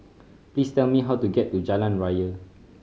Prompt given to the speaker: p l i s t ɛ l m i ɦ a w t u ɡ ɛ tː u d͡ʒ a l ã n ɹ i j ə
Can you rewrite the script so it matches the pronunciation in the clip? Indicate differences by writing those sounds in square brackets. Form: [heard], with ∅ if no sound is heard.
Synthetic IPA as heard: p l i s t ɛ l m i ɦ a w t u ɡ ɛ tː u d͡ʒ a l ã n ɹ [a] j ə